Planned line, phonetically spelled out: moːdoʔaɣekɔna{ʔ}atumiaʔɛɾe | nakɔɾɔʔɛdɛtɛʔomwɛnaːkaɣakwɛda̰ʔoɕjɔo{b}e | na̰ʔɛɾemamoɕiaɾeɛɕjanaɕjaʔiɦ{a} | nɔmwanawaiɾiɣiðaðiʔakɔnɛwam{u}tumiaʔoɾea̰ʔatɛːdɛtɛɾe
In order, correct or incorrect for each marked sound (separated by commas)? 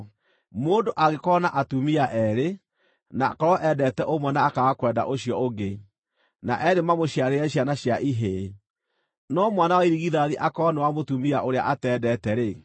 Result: correct, incorrect, incorrect, incorrect